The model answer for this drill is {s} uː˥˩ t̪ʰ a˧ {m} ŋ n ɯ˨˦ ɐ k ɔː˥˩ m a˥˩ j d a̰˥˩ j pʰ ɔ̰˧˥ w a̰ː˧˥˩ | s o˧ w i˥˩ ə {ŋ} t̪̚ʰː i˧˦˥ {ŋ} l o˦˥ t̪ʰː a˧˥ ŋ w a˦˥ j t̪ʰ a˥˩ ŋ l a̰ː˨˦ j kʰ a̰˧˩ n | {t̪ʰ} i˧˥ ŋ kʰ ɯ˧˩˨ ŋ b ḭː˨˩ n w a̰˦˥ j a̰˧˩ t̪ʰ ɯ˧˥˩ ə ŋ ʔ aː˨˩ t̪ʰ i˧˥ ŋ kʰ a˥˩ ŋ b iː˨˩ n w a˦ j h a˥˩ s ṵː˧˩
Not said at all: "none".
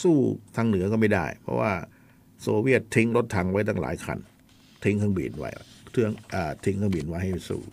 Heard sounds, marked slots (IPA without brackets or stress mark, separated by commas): s, none, none, ŋ, t̪ʰ